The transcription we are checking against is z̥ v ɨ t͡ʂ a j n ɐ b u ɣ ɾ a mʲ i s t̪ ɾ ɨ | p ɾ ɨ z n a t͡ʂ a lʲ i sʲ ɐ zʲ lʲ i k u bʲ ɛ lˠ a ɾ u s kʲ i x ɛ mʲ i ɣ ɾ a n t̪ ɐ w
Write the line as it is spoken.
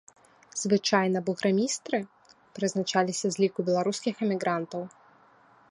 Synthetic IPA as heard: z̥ v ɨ t͡ʂ a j n ɐ b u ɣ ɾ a mʲ i s t̪ ɾ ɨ | p ɾ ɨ z n a t͡ʂ a lʲ i sʲ ɐ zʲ lʲ i k u bʲ ɛ lˠ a ɾ u s kʲ i x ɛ mʲ i ɣ ɾ a n t̪ ɐ w